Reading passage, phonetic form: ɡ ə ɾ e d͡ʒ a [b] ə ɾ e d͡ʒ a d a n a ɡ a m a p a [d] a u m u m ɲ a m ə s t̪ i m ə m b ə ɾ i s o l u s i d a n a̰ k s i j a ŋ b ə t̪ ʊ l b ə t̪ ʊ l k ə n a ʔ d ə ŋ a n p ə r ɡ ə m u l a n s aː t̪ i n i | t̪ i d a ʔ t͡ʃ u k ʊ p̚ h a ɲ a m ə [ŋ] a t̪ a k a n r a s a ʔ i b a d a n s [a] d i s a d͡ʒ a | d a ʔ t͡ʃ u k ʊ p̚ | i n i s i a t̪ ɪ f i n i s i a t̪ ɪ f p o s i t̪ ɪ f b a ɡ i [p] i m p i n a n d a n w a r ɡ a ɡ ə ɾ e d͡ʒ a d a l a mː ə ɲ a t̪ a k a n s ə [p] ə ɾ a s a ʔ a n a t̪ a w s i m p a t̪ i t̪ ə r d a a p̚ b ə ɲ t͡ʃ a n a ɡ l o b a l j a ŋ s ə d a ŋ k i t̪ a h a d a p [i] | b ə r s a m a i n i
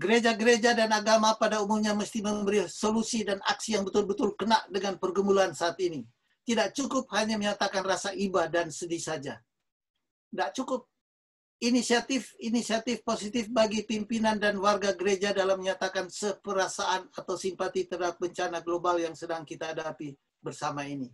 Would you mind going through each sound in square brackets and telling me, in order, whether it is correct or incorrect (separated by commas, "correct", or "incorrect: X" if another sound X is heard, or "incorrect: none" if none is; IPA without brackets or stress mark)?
incorrect: ɡ, correct, incorrect: ɲ, incorrect: ə, correct, correct, correct